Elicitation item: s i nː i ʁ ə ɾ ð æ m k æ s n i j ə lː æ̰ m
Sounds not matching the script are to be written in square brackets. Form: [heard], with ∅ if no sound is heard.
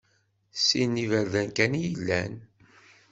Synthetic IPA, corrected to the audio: s i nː i [v] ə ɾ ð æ [n] k æ [∅] n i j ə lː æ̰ [n]